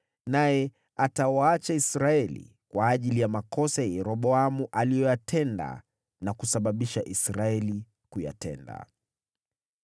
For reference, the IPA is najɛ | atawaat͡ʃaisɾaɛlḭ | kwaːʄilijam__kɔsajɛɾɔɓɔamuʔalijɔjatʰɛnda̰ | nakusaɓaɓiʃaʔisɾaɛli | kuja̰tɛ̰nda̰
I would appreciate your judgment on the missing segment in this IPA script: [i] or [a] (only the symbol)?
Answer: a